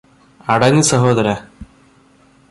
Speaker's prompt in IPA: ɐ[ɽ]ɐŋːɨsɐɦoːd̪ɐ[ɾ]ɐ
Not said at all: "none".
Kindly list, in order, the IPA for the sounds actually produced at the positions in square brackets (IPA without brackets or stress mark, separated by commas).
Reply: ɽ, ɾ